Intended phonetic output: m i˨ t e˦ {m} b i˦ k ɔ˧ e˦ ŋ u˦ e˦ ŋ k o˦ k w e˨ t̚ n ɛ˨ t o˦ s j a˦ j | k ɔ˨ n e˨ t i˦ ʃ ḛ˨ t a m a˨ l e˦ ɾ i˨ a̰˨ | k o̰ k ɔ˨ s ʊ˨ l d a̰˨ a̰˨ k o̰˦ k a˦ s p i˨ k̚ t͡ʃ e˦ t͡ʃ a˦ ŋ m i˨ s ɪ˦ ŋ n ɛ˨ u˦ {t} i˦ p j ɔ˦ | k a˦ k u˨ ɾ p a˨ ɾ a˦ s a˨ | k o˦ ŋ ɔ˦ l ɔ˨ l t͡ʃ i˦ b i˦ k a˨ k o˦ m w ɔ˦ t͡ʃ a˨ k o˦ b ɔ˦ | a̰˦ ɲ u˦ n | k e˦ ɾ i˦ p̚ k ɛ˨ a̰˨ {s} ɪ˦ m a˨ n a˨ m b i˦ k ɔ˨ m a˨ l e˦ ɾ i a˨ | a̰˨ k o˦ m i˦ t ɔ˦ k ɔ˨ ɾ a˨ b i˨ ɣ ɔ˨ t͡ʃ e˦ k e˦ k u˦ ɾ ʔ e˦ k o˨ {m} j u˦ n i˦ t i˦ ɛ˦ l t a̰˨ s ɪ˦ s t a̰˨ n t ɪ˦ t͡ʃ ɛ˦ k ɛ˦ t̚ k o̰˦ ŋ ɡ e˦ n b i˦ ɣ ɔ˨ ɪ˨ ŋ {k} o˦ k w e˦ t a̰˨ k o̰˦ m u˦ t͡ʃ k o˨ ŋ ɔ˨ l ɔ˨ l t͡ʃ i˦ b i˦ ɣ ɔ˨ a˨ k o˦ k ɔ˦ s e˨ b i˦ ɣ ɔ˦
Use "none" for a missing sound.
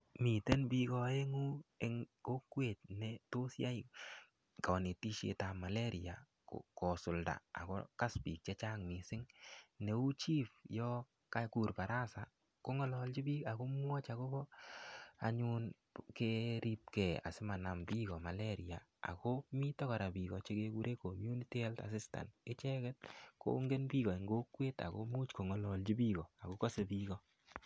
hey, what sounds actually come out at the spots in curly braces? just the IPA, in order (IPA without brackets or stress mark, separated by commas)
n, t͡ʃ, s, m, ɡ